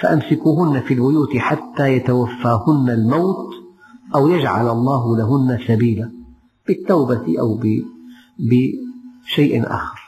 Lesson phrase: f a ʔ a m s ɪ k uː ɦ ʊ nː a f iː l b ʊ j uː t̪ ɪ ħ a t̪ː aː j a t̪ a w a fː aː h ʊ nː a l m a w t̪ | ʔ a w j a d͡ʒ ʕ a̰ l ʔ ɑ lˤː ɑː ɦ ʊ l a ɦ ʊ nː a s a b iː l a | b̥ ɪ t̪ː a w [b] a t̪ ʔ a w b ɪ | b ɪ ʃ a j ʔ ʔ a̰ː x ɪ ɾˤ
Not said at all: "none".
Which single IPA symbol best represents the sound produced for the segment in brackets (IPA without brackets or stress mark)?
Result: b